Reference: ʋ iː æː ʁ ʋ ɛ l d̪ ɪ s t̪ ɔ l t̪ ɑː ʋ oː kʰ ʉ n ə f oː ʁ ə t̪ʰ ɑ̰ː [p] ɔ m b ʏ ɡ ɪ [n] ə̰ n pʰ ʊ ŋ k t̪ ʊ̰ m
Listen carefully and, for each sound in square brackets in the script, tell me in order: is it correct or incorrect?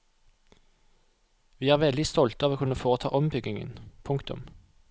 incorrect: ʔ, incorrect: ŋ

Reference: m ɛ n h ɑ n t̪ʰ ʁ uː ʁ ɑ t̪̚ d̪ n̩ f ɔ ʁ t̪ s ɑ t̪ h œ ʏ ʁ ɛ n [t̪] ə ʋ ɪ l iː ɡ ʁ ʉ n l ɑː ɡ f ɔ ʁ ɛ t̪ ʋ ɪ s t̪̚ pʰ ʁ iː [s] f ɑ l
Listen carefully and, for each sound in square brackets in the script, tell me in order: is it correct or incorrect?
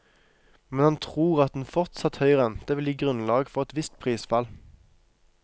correct, correct

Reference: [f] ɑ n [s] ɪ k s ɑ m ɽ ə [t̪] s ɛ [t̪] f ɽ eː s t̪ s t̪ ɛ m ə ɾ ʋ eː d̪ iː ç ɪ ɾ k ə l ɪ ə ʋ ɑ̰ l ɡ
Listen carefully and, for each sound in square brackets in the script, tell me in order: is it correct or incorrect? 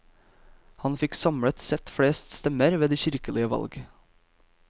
incorrect: h, incorrect: f, correct, correct

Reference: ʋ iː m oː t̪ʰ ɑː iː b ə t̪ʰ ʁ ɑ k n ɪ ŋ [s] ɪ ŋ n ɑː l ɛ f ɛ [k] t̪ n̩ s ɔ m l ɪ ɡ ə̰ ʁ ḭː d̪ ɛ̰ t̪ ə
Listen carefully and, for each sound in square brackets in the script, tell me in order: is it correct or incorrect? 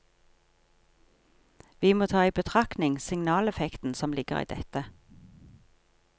correct, correct

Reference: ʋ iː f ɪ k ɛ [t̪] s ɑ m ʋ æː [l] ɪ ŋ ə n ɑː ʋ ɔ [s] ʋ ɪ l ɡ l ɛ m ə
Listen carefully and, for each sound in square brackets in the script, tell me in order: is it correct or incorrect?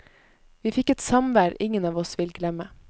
correct, incorrect: ɾ, correct

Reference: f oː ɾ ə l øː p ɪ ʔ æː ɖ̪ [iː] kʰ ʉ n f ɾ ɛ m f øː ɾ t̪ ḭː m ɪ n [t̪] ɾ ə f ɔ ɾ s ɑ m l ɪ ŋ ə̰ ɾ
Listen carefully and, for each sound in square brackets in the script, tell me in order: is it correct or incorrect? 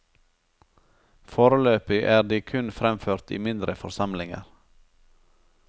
correct, incorrect: d̪

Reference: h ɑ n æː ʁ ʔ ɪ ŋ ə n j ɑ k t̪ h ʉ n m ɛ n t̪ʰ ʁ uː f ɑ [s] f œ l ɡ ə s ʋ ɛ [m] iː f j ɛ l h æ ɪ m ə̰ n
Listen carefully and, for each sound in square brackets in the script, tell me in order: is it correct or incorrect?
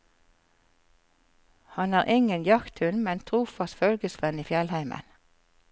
correct, incorrect: n

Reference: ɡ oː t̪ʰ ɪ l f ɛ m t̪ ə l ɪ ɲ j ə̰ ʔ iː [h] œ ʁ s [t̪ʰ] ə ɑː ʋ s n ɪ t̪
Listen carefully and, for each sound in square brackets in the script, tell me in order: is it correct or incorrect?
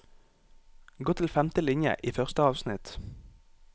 incorrect: f, incorrect: t̪

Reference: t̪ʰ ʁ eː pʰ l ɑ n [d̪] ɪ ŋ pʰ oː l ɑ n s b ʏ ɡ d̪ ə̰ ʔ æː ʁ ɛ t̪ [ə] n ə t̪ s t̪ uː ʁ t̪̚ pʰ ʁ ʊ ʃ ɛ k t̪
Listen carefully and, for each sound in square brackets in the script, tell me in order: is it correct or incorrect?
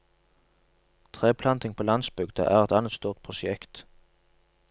incorrect: t̪, incorrect: ɑ

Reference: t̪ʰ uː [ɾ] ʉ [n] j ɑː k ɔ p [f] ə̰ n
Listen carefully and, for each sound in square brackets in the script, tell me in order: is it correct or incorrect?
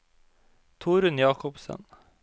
correct, correct, incorrect: s

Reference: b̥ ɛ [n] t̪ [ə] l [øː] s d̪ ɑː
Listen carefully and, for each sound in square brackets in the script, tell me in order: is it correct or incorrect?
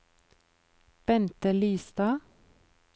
correct, correct, incorrect: yː

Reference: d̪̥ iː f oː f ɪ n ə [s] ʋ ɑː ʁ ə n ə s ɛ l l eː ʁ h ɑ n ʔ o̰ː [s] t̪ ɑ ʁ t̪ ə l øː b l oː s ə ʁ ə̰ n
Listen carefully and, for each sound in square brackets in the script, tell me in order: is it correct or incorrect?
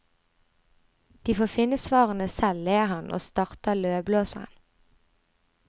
correct, correct

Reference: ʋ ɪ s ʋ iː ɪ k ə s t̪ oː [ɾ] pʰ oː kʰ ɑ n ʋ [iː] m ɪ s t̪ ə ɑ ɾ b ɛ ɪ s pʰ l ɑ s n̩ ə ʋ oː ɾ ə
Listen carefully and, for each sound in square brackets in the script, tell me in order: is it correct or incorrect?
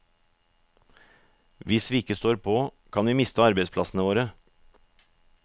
correct, correct

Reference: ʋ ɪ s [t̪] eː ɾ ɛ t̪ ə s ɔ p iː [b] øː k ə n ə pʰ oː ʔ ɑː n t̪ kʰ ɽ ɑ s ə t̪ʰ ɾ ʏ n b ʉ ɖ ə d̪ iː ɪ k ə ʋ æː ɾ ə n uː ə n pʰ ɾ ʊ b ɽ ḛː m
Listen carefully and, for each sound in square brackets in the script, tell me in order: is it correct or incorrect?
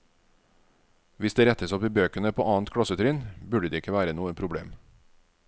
incorrect: d̪, correct

